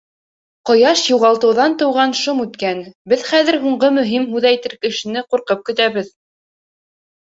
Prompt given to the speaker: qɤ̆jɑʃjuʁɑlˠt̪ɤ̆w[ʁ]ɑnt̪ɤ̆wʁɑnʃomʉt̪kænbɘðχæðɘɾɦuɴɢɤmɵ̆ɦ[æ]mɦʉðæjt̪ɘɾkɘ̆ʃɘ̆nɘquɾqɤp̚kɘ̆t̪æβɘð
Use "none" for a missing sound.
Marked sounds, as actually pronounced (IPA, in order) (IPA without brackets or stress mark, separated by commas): ð, i